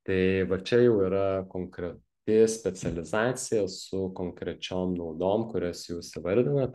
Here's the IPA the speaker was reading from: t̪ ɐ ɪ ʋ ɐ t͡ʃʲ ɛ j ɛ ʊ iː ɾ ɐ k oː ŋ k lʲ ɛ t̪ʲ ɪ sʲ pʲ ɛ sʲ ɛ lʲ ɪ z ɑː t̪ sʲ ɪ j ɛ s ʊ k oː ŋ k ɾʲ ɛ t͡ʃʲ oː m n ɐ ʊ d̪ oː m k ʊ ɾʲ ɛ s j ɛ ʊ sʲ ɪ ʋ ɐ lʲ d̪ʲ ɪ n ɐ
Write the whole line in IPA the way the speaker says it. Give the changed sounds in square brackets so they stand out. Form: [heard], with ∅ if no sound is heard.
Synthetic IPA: t̪ ɐ ɪ ʋ ɐ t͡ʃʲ ɛ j ɛ ʊ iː ɾ ɐ k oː ŋ k [ɾʲ] ɛ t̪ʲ ɪ sʲ pʲ ɛ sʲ ɛ lʲ ɪ z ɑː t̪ sʲ ɪ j ɛ s ʊ k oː ŋ k ɾʲ ɛ t͡ʃʲ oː m n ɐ ʊ d̪ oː m k ʊ ɾʲ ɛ s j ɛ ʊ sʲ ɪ ʋ ɐ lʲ d̪ʲ ɪ n ɐ